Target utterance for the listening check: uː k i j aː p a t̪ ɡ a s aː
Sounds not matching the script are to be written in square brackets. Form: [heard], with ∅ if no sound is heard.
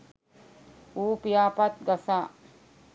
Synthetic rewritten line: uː [p] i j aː p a t̪ ɡ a s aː

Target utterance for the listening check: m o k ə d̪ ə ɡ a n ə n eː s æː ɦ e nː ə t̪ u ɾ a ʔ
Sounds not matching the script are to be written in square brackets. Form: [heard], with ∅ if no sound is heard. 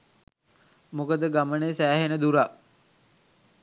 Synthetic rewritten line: m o k ə d̪ ə ɡ a [m] ə n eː s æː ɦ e [n] ə [d̪] u ɾ a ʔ

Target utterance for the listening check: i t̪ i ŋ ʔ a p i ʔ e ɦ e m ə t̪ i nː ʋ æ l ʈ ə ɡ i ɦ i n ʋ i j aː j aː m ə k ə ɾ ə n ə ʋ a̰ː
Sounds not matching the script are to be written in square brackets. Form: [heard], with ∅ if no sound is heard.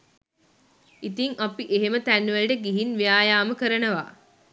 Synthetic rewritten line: i t̪ i ŋ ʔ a p i ʔ e ɦ e m ə t̪ [æ] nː ʋ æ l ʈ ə ɡ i ɦ i n ʋ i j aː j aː m ə k ə ɾ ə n ə ʋ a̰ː

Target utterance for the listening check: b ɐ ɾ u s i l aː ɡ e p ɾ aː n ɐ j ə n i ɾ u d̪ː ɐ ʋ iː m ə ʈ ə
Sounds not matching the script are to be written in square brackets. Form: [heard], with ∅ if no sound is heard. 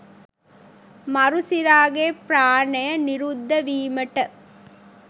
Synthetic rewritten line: [m] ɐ ɾ u s i [ɾ] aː ɡ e p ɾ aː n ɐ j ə n i ɾ u d̪ː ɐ ʋ iː m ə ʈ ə

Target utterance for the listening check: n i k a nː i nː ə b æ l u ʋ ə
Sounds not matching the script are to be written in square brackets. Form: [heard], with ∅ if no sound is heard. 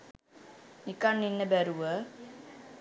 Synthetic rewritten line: n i k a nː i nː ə b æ [ɾ] u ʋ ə

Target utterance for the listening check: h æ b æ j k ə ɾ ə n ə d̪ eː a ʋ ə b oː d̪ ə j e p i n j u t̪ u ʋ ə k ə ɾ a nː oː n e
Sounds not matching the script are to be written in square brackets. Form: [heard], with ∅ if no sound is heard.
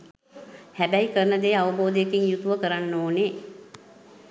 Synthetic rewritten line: h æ b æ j k ə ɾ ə n ə d̪ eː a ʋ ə b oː d̪ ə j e [k] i [ŋ] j u t̪ u ʋ ə k ə ɾ a nː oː n e

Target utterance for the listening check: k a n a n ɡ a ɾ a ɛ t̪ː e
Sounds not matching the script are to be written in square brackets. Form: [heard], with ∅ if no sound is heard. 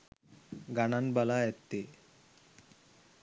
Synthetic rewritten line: [ɡ] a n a n [b] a [l] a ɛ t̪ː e

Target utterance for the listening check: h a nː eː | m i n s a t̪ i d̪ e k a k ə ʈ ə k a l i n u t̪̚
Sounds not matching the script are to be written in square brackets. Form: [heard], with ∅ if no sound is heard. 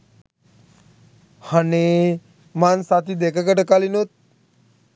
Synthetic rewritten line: h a [n] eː | m [a] n s a t̪ i d̪ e k [ə] k ə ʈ ə k a l i n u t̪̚

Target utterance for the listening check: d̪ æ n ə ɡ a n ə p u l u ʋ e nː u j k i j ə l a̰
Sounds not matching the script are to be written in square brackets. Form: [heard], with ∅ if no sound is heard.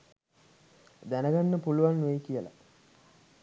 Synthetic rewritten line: d̪ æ n ə ɡ a [nː] ə p u l u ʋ [a] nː u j k i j ə l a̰

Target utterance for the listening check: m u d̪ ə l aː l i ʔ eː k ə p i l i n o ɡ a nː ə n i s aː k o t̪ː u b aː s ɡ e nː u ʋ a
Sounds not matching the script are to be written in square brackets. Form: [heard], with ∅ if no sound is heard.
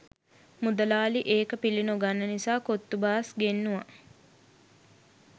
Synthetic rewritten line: m u d̪ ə l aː l i ʔ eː k ə p i l i n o ɡ a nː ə n i s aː k o t̪ː u b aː s ɡ e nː u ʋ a

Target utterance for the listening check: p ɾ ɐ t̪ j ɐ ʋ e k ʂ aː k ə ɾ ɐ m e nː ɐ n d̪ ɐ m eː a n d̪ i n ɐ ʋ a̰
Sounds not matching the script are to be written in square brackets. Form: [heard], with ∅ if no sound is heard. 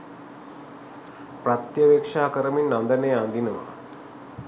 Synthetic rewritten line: p ɾ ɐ t̪ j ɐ ʋ e k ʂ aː k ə ɾ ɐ m [i] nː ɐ n d̪ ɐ [n] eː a n d̪ i n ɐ ʋ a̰

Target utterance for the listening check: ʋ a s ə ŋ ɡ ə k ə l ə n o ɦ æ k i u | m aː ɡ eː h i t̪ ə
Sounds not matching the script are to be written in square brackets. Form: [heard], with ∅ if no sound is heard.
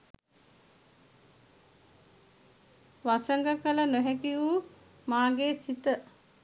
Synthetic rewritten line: ʋ a s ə ŋ ɡ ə k ə l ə n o ɦ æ k i u | m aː ɡ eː [s] i t̪ ə

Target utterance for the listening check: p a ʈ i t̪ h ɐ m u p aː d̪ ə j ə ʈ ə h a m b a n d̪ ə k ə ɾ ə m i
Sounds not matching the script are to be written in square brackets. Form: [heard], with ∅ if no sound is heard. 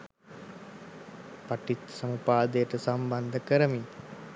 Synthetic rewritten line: p a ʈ i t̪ [s] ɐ m u p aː d̪ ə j ə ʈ ə [s] a m b a n d̪ ə k ə ɾ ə m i

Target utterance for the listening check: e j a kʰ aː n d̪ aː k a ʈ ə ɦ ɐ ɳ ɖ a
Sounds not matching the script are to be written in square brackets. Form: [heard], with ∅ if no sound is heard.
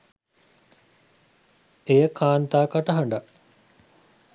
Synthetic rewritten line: e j [ə] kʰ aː n [t̪] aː k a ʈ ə ɦ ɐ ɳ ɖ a

